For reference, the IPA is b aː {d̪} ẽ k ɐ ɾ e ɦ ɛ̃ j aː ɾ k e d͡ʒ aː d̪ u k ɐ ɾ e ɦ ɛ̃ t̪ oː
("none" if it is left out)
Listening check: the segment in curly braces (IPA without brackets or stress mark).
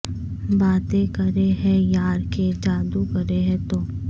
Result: t̪